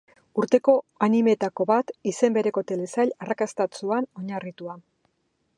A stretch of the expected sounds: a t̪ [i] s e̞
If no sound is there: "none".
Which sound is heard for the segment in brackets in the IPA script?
i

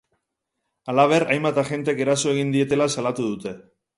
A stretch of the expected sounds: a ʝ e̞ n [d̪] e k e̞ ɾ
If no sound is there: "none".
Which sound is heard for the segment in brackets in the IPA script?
t̪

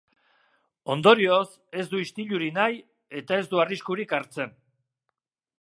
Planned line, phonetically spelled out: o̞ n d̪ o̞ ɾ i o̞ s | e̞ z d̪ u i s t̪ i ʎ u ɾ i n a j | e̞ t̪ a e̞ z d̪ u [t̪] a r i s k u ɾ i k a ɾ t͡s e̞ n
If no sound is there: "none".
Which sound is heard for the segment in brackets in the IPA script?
none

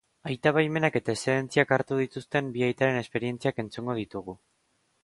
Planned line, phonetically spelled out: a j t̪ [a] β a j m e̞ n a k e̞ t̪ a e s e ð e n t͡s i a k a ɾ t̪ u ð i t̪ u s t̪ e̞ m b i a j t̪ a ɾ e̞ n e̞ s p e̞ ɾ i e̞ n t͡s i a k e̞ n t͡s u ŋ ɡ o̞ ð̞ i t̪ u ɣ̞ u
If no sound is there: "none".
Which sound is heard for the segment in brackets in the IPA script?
a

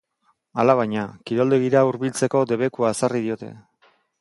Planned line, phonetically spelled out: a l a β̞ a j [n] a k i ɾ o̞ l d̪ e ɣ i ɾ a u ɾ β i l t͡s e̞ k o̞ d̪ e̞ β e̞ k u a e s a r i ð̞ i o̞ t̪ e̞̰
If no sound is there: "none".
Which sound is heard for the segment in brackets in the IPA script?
ɲ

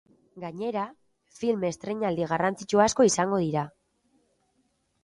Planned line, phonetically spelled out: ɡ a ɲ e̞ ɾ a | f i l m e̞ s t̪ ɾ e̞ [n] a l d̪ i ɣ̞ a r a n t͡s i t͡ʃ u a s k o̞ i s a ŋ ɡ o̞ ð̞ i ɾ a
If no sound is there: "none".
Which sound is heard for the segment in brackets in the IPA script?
ɲ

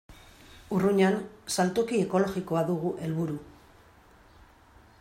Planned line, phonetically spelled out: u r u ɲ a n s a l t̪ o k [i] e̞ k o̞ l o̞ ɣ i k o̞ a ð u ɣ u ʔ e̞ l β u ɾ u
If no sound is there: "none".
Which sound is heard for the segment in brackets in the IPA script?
i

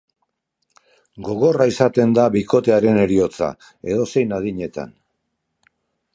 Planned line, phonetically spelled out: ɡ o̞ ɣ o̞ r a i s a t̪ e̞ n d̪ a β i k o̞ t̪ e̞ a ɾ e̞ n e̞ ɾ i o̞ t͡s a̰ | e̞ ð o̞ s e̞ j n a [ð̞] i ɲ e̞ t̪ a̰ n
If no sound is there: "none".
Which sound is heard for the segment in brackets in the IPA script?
ð̞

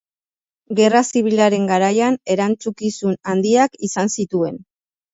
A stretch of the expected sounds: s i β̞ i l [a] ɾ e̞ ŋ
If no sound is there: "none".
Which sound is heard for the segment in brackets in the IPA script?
a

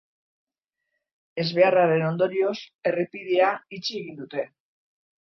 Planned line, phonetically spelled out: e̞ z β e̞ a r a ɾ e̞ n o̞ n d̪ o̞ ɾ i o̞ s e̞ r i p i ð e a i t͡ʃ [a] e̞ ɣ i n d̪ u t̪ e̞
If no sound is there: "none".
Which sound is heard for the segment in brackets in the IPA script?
i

